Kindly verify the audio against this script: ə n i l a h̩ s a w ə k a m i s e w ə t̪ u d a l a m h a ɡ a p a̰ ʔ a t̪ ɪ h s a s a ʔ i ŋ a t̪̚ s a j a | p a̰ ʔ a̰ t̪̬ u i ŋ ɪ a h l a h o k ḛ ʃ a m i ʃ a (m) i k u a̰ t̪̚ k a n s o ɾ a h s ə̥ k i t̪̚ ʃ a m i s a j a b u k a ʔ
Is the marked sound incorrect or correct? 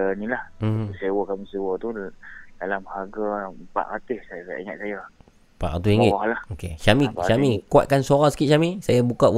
correct